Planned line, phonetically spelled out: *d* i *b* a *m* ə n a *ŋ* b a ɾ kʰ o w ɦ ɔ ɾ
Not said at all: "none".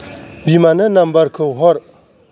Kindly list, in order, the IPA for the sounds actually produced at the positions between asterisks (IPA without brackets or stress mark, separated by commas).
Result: b, m, n, m